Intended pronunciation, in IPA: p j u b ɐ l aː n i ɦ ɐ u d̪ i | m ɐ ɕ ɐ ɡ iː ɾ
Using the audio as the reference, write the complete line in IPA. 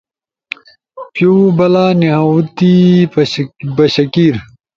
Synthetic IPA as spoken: p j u b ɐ l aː n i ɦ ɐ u t̪ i | b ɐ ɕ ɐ k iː ɾ